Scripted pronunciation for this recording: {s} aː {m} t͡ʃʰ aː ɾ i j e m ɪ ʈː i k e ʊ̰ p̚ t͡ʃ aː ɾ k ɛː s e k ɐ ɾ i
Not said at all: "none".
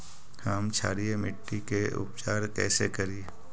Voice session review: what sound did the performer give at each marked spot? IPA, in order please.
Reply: h, m

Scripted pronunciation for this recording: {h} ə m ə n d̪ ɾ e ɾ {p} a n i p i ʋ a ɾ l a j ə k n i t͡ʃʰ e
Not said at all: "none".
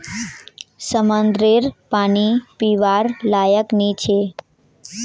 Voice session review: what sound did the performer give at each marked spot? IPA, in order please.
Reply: s, p

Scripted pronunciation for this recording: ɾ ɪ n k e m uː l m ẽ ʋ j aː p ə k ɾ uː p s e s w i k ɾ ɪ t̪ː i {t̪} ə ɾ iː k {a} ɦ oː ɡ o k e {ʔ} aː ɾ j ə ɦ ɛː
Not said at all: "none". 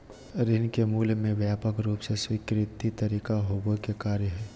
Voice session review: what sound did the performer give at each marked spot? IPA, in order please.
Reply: t̪, a, k

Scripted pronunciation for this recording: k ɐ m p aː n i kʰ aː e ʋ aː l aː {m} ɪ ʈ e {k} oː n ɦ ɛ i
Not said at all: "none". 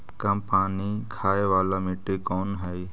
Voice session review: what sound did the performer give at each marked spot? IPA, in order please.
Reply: m, k

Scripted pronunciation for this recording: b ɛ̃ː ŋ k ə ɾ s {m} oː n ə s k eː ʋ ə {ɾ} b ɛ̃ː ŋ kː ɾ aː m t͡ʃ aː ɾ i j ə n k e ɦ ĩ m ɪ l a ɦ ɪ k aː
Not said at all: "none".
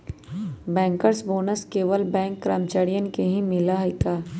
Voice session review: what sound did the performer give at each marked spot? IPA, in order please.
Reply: b, l

